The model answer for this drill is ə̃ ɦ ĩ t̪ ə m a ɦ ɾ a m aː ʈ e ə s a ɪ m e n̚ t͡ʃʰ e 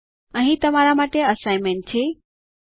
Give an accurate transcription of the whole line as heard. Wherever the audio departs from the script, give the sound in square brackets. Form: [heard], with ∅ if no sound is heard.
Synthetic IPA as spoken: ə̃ ɦ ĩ t̪ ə m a [∅] ɾ a m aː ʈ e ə s a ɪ m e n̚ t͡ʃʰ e